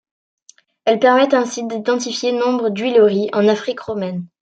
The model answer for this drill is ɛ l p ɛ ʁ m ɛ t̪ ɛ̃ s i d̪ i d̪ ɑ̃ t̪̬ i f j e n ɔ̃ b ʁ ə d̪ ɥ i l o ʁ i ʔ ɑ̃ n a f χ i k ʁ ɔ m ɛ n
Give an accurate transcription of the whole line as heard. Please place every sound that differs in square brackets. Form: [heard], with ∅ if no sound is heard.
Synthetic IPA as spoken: ɛ l p ɛ ʁ m ɛ t̪ ɛ̃ s i d̪ i d̪ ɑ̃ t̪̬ i f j e n ɔ̃ b ʁ ə d̪ ɥ i l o ʁ i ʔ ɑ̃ n a f χ i k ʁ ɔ m ɛ n